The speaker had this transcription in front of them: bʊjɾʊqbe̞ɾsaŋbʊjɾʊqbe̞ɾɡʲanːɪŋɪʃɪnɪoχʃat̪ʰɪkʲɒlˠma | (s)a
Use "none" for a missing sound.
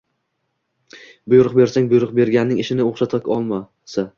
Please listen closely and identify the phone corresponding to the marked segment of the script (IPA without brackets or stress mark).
s